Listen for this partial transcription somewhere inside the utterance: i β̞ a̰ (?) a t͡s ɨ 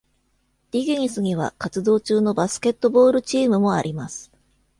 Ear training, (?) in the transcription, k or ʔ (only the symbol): k